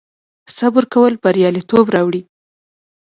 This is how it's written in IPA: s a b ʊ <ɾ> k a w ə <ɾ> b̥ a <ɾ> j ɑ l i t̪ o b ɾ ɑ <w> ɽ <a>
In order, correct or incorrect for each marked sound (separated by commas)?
correct, incorrect, correct, correct, incorrect